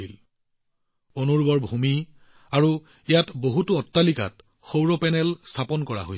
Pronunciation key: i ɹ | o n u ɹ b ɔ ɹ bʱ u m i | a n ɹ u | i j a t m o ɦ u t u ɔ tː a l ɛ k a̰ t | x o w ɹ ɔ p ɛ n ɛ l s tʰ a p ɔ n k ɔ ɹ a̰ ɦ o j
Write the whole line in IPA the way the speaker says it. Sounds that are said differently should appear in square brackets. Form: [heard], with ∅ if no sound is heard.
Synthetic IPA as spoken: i [l] | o n u ɹ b ɔ ɹ bʱ u m i | a [∅] ɹ u | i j a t [b] o ɦ u t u ɔ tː a l [i] k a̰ t | x o w ɹ ɔ p ɛ n ɛ l s tʰ a p ɔ n k ɔ ɹ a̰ ɦ o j